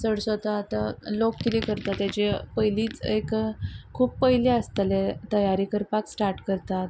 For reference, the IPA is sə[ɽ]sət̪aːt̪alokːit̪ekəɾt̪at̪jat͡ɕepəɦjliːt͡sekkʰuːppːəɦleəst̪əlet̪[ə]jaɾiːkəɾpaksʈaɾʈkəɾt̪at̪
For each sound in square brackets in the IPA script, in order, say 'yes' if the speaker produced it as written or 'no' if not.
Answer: yes, yes

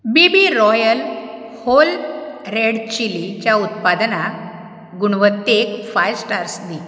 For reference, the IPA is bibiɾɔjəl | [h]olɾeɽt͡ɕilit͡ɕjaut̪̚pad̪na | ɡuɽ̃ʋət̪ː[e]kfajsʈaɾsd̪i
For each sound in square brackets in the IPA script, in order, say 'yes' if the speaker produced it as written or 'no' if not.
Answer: yes, yes

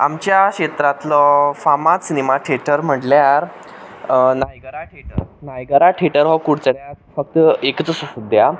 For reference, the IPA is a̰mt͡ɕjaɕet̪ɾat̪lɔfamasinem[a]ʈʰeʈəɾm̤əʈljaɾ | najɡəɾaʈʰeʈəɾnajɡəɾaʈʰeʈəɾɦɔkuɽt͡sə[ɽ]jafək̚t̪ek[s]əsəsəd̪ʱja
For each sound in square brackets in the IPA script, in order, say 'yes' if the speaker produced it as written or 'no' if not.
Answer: yes, yes, no

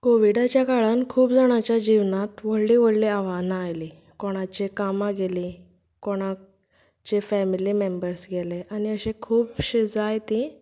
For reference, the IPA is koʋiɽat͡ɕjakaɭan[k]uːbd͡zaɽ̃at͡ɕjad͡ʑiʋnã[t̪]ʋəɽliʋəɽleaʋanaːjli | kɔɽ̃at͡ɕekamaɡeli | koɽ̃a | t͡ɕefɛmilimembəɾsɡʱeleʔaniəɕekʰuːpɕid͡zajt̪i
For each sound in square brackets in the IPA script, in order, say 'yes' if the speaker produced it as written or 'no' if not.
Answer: no, yes

